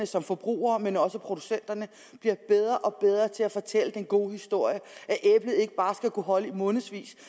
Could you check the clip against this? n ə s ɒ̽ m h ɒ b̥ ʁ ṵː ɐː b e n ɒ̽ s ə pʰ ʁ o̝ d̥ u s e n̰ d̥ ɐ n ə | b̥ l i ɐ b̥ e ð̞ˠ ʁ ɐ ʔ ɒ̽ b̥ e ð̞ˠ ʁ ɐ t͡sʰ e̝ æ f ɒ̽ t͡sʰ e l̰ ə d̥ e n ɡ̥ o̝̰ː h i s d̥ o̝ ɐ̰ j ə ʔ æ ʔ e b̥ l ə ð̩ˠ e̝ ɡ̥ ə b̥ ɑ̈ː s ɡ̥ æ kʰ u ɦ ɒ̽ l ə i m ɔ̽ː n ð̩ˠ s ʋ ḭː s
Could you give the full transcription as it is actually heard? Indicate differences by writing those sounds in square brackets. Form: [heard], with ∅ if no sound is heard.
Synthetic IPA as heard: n ə s ɒ̽ m [f] ɒ b̥ ʁ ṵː ɐː [m] e n ɒ̽ s ə pʰ ʁ o̝ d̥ u s e n̰ d̥ ɐ n ə | b̥ l i ɐ b̥ e ð̞ˠ ʁ ɐ ʔ ɒ̽ b̥ e ð̞ˠ ʁ ɐ t͡sʰ e̝ æ f ɒ̽ t͡sʰ e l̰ ə d̥ e n ɡ̥ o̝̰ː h i s d̥ o̝ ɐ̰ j ə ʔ æ ʔ e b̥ l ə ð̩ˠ e̝ ɡ̥ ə b̥ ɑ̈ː s ɡ̥ æ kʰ u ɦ ɒ̽ l ə i m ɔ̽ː n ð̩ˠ s ʋ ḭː s